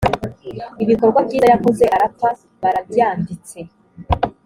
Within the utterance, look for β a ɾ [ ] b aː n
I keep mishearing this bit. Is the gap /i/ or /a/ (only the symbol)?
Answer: a